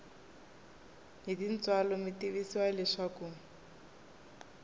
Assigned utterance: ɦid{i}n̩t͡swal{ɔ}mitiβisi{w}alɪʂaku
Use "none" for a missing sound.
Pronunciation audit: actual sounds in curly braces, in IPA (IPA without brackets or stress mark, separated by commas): i, ɔ, w